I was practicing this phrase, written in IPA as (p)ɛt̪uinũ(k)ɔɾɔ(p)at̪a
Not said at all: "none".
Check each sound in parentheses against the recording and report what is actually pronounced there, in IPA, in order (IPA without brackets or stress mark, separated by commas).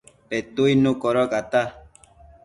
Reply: p, k, k